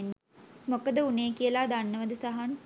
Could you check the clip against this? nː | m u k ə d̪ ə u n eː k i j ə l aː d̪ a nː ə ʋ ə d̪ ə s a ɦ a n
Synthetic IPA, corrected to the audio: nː | m o k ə d̪ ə u n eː k i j ə l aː d̪ a nː ə ʋ ə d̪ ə s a ɦ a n